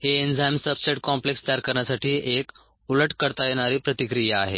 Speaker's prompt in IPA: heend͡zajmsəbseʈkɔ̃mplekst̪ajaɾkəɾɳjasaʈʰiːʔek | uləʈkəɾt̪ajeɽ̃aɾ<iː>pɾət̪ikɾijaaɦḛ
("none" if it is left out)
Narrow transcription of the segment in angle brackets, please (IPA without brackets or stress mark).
iː